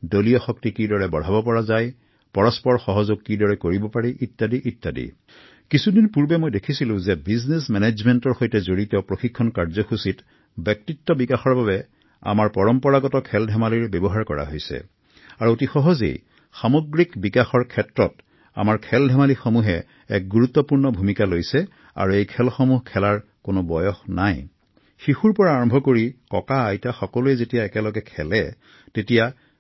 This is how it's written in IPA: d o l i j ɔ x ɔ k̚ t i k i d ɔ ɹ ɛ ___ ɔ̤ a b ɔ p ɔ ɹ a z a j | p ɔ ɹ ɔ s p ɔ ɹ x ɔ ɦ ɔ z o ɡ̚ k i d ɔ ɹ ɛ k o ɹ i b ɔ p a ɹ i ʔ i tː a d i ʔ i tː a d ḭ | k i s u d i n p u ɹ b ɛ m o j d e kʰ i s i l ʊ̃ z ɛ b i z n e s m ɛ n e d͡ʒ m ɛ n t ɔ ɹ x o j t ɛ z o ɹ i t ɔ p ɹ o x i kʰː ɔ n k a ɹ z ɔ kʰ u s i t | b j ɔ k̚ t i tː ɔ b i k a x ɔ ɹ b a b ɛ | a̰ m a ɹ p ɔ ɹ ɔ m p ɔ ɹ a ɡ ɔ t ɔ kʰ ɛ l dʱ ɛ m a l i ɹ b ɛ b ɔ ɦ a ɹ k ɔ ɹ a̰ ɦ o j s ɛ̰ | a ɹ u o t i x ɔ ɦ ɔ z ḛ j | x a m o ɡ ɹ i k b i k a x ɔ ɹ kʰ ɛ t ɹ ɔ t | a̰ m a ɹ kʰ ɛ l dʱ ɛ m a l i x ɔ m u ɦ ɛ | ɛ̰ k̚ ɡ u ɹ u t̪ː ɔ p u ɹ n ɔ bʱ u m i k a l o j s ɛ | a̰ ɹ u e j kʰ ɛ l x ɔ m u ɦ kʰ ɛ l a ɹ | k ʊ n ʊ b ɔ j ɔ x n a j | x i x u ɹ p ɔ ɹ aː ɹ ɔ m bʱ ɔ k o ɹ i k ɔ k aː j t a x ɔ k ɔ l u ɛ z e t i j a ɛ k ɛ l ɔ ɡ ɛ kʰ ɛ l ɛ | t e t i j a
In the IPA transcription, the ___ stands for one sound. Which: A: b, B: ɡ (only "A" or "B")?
A